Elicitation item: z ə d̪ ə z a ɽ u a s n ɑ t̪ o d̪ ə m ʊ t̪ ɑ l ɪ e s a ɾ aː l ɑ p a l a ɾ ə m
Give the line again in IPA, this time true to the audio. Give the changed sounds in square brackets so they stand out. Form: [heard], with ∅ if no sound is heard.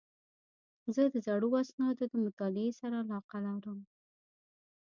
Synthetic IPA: z ə d̪ ə z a ɽ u a s n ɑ [d̪] o d̪ ə m ʊ t̪ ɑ l ɪ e s a ɾ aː l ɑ [q] a l a ɾ ə m